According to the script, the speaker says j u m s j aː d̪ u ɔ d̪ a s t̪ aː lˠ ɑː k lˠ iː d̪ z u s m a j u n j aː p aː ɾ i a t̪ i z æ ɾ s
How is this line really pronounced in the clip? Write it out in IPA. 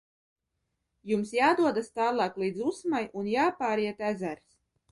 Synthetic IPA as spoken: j u m s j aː d̪ u ɔ d̪ a s t̪ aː lˠ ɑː k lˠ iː d̪ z u s m a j u n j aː p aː ɾ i ɛ t̪ æ z æ ɾ s